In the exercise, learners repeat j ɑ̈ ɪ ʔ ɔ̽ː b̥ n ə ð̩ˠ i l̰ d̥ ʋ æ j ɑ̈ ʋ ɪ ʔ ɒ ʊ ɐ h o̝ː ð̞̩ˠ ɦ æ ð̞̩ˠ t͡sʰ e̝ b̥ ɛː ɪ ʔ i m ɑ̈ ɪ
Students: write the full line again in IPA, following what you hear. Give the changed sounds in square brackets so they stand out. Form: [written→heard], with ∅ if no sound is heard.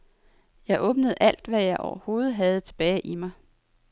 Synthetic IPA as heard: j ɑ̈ ɪ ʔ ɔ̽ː b̥ n ə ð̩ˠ [i→æ] l̰ d̥ ʋ æ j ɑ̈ [ʋ→∅] ɪ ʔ ɒ ʊ ɐ h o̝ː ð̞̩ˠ ɦ æ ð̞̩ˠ t͡sʰ e̝ b̥ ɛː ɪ ʔ i m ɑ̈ ɪ